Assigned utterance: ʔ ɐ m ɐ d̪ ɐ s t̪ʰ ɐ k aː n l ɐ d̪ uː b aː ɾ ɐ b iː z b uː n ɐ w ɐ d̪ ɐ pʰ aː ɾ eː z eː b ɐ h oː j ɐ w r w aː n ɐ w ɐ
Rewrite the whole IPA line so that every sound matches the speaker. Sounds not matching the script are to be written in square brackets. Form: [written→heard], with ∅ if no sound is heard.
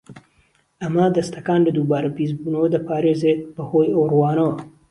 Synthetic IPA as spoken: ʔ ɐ m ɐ d̪ ɐ s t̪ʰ ɐ k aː n l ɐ d̪ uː b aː ɾ ɐ b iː z b uː n ɐ w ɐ d̪ ɐ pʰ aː ɾ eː z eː b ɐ h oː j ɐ w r w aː n ɐ w ɐ